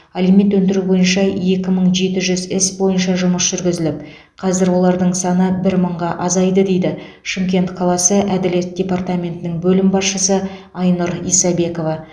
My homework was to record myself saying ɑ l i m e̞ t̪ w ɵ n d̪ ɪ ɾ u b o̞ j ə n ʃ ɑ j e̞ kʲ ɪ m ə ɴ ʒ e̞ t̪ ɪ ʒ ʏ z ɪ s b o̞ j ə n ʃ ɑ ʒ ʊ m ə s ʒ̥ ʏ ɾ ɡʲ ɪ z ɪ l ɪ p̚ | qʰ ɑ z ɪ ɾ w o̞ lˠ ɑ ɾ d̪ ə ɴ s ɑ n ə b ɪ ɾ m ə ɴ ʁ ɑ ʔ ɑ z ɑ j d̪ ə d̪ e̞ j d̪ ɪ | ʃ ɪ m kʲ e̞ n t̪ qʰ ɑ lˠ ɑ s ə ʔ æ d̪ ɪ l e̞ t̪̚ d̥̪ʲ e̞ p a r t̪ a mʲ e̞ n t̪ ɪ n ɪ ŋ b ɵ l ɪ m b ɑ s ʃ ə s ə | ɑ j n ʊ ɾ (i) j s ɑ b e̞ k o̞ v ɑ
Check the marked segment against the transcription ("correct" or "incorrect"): correct